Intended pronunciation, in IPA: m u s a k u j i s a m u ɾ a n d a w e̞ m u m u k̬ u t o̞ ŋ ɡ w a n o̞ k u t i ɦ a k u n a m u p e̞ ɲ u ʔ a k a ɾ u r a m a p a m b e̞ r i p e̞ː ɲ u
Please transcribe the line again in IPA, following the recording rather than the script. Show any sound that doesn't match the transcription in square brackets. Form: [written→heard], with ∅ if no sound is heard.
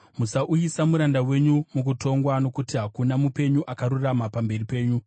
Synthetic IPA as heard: m u s a [k→ʔ] u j i s a m u ɾ a n d a w e̞ [m→ɲ] u m u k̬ u t o̞ ŋ ɡ w a n o̞ k u t i ɦ a k u n a m u p e̞ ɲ u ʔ a k a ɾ u r a m a p a m b e̞ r i p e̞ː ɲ u

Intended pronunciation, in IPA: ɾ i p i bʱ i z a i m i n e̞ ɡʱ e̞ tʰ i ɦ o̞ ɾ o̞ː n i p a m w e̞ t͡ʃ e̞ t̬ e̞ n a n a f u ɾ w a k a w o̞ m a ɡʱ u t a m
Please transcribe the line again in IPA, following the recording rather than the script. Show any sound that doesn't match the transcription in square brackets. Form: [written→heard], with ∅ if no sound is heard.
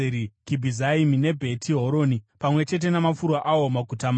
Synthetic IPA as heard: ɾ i [p→k] i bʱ i z a i m i n e̞ [ɡʱ→bʱ] e̞ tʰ i ɦ o̞ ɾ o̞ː n i p a m w e̞ t͡ʃ e̞ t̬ e̞ n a [n→m] a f u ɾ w a [k→ʔ] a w o̞ m a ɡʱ u t a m

